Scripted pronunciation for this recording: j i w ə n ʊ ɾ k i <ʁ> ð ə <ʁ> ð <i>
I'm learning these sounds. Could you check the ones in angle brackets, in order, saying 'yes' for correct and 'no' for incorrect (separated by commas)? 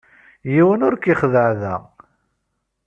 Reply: no, no, no